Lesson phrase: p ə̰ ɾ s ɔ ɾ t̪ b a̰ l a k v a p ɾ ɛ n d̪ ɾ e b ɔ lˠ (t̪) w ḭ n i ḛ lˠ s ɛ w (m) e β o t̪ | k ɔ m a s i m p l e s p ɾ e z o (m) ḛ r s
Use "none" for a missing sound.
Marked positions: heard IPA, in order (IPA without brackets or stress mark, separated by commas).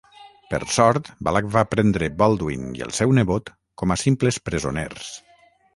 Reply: d̪, n, n